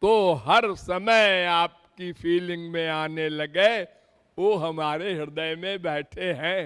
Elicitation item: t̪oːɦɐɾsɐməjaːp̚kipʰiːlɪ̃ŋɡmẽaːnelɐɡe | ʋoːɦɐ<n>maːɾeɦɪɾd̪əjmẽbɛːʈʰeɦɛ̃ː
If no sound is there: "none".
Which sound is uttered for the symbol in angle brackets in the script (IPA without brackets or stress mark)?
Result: none